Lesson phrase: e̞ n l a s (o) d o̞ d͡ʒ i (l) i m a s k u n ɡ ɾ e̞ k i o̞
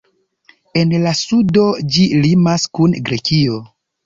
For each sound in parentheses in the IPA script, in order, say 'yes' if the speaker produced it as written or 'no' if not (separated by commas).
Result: no, yes